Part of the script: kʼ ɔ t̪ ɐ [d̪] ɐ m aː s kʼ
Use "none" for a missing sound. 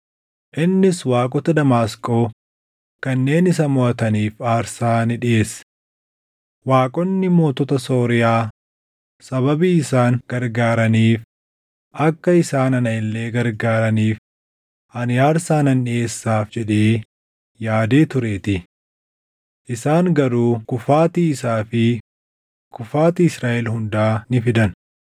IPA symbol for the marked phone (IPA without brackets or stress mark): d̪